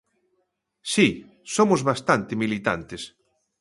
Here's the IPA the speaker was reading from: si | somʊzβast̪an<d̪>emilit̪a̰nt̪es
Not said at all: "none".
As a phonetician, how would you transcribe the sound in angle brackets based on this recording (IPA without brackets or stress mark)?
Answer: t̪